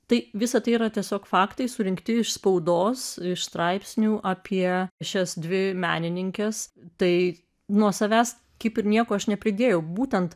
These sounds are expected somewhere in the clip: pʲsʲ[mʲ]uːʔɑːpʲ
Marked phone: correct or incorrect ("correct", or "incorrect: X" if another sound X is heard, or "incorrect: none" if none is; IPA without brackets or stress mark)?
incorrect: nʲ